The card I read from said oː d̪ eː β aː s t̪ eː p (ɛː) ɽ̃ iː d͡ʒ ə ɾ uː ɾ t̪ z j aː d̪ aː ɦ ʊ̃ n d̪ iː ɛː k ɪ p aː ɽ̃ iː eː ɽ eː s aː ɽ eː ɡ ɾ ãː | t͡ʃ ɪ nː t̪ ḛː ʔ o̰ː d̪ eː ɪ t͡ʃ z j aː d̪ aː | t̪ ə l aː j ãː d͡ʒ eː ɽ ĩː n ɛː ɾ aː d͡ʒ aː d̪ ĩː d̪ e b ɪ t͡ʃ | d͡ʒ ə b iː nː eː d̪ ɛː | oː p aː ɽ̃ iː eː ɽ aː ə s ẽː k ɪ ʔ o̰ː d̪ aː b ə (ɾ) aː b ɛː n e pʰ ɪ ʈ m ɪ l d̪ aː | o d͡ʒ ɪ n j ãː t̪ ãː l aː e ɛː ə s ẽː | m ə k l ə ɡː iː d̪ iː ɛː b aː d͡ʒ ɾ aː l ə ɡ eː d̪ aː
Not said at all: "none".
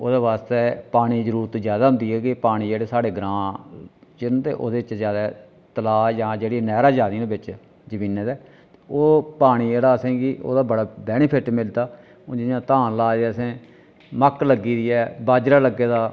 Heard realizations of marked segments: aː, ɽ

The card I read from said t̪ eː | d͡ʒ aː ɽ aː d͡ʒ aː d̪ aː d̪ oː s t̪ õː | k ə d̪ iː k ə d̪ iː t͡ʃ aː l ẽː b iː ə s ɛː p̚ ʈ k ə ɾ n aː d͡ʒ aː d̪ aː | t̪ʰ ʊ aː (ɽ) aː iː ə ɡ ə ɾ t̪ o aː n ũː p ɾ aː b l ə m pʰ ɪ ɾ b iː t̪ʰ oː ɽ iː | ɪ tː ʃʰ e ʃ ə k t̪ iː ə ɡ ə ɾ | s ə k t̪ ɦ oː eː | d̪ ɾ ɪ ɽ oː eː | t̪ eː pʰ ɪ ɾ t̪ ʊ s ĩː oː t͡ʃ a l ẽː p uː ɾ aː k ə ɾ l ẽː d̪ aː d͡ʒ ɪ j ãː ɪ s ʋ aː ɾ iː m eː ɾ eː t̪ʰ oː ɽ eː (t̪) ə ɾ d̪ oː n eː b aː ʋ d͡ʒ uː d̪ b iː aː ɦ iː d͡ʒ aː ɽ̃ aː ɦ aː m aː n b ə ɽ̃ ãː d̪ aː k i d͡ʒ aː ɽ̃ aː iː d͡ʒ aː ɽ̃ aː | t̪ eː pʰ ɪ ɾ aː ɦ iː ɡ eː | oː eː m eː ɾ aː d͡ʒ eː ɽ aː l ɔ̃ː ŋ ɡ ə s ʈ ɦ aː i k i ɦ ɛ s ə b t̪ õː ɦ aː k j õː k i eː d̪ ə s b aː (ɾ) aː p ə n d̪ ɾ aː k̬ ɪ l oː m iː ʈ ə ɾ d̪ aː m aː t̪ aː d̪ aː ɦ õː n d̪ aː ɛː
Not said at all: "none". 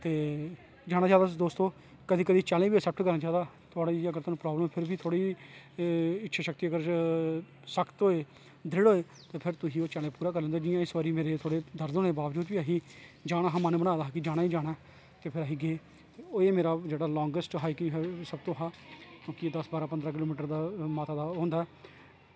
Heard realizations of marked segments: ɽ, d̪, ɾ

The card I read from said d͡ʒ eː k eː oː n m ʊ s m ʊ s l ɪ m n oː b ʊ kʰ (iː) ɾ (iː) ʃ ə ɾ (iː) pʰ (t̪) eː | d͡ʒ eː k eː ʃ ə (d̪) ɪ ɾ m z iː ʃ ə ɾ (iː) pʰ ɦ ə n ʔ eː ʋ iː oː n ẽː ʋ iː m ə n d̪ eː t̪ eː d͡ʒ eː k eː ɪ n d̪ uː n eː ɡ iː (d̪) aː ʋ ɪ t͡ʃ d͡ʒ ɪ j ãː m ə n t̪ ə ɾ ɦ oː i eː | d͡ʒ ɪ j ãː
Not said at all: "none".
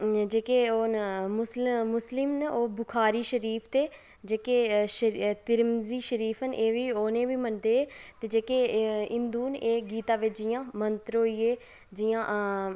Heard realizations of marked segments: aː, iː, iː, t̪, t̪, iː, t̪

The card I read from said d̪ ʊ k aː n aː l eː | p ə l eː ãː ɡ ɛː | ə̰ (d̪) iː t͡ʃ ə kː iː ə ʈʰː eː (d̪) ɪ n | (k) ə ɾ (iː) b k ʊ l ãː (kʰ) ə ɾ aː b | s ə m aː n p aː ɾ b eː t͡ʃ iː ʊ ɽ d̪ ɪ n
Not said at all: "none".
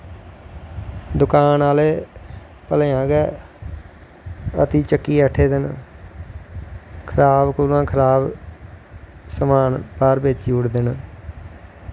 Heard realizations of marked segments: t̪, d̪, kʰ, aː, kʰ

